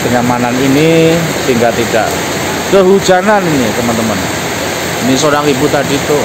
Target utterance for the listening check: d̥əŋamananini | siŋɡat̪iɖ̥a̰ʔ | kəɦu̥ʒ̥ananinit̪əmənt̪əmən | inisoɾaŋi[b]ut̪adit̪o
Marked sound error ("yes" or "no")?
no